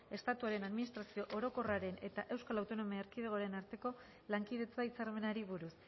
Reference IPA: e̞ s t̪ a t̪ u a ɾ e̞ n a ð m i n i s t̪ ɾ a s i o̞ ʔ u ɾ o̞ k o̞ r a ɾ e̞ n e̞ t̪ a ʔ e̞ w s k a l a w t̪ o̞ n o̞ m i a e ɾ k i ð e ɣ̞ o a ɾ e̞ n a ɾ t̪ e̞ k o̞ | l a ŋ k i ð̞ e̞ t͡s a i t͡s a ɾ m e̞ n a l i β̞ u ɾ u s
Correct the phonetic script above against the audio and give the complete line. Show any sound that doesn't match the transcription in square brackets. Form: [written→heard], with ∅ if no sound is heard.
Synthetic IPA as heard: e̞ s t̪ a t̪ u a ɾ e̞ n a ð m i n i s t̪ ɾ a s i o̞ ʔ [u→o] ɾ o̞ k o̞ r a ɾ e̞ n e̞ t̪ a ʔ e̞ w s k a l a w t̪ o̞ n o̞ m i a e ɾ k i ð e ɣ̞ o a ɾ e̞ n a ɾ t̪ e̞ k o̞ | l a ŋ k i ð̞ e̞ t͡s a i t͡s a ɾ m e̞ n a [l→ɾ] i β̞ u ɾ u s